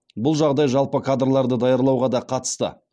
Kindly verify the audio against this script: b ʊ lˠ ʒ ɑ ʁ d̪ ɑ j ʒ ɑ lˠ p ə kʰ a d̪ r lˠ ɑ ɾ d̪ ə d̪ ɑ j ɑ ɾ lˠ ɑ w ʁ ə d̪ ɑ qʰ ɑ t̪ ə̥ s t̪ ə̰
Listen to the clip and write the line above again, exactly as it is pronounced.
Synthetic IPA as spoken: b ʊ lˠ ʒ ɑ ʁ d̪ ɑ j ʒ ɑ lˠ p ə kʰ a d̪ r lˠ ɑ ɾ d̪ ə d̪ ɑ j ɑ ɾ lˠ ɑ w ʁ ɑ d̪ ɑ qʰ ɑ t̪ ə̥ s t̪ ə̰